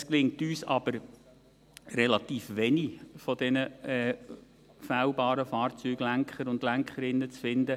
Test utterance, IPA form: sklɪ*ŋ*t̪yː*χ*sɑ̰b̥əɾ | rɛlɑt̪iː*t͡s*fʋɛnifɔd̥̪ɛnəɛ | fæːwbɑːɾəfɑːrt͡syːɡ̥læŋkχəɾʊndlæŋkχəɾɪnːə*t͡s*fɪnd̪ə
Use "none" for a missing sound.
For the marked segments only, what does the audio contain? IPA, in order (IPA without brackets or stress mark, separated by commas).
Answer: ŋ, none, none, t͡s